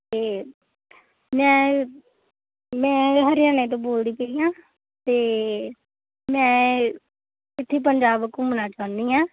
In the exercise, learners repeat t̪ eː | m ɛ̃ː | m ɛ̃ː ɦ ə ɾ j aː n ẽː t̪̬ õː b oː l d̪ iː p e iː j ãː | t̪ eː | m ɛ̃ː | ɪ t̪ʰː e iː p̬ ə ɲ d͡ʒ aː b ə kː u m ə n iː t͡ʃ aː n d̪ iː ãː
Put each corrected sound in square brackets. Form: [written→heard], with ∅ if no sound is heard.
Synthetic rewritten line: t̪ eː | m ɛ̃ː | m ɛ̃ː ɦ ə ɾ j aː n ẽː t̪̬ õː b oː l d̪ iː p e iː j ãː | t̪ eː | m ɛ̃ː | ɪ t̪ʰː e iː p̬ ə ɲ d͡ʒ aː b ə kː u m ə n [iː→aː] t͡ʃ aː n d̪ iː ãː